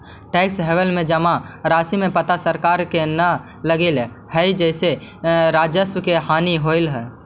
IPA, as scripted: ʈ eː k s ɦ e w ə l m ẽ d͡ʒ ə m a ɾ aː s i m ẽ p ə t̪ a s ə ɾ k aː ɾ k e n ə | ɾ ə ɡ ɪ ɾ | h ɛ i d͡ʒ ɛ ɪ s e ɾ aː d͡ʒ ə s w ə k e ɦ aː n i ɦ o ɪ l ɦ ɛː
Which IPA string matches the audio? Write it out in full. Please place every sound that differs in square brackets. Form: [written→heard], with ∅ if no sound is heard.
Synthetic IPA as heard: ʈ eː k s ɦ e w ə l m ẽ d͡ʒ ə m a ɾ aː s i m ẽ p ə t̪ a s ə ɾ k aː ɾ k e n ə | [ɾ→l] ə ɡ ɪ [ɾ→l] | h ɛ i d͡ʒ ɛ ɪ s e ɾ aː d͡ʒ ə s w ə k e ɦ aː n i ɦ o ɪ l ɦ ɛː